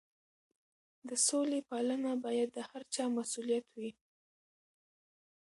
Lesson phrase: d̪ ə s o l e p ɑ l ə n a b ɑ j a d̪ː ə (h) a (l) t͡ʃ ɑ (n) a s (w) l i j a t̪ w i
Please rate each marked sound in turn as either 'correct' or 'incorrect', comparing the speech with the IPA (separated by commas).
correct, incorrect, incorrect, incorrect